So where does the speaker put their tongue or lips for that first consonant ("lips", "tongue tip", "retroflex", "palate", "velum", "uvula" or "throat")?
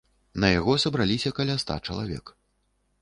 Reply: tongue tip